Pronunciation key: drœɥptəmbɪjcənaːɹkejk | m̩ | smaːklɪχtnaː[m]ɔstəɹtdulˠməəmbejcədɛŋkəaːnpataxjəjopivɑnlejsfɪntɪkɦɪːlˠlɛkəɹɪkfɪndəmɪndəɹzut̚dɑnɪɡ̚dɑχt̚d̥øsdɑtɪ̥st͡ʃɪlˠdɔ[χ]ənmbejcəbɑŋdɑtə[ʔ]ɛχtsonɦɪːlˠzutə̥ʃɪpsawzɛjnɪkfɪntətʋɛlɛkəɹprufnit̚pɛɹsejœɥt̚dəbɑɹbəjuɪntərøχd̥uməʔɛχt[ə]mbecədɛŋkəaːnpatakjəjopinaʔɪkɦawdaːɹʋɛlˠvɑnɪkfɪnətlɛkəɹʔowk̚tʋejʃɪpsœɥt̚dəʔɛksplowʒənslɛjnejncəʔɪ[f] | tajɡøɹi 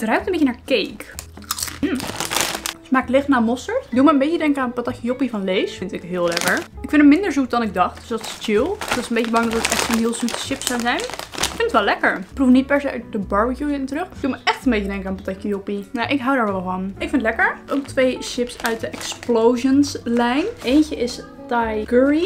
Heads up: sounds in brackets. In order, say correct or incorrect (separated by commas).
correct, incorrect, incorrect, correct, incorrect